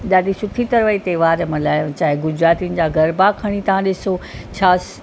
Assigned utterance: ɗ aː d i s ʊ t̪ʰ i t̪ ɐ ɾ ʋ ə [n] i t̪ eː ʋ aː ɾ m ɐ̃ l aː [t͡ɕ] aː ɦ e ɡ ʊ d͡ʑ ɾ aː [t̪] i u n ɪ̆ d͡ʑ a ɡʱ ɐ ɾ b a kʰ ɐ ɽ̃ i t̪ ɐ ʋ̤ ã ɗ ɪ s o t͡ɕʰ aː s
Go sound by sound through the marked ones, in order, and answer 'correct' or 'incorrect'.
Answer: incorrect, correct, correct

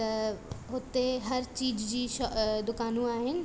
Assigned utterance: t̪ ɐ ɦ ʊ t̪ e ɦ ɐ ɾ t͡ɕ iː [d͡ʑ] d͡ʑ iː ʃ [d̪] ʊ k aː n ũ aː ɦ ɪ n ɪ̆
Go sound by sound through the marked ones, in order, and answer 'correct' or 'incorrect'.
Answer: correct, correct

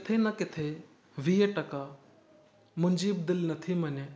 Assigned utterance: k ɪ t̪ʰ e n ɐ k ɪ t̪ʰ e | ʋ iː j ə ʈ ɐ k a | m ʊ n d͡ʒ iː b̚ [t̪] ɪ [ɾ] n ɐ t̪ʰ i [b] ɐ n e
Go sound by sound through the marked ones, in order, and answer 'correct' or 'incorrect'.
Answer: incorrect, incorrect, incorrect

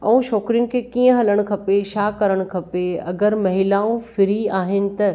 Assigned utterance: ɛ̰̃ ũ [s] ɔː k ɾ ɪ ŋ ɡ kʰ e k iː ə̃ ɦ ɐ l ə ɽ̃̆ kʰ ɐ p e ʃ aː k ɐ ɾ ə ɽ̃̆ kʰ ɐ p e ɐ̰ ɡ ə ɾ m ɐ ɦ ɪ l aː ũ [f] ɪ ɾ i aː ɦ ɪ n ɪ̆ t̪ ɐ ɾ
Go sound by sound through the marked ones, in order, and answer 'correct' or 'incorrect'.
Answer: incorrect, correct

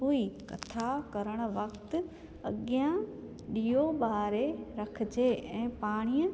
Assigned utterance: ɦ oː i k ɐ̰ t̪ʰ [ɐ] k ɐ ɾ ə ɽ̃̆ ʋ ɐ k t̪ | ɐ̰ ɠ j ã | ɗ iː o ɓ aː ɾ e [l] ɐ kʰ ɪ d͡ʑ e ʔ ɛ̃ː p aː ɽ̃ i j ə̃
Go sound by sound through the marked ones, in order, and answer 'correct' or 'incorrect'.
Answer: incorrect, incorrect

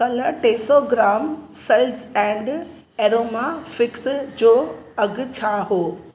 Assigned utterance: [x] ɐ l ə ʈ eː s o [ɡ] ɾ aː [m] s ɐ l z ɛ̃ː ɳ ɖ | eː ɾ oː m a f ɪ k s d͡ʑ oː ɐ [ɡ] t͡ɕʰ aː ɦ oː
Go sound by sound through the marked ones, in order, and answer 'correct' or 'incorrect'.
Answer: incorrect, correct, correct, correct

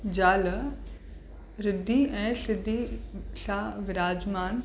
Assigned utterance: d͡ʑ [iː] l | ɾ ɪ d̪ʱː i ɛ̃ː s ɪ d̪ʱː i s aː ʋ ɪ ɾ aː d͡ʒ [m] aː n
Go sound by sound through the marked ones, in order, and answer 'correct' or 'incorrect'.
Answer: incorrect, correct

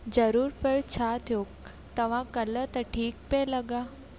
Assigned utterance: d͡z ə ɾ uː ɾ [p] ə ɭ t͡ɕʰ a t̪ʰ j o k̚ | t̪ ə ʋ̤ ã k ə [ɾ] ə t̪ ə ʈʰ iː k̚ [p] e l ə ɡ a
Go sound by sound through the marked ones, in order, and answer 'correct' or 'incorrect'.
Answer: correct, incorrect, correct

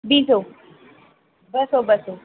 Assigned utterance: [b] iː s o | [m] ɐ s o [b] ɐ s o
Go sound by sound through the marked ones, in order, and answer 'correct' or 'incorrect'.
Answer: correct, incorrect, correct

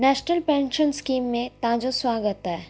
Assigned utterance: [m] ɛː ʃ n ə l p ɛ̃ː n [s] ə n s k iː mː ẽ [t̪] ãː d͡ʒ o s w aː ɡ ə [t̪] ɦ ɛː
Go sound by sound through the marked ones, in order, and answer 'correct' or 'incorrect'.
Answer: incorrect, incorrect, correct, correct

